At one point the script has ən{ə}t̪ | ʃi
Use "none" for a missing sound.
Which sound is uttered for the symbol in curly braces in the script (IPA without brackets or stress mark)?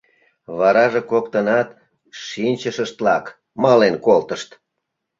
ɑ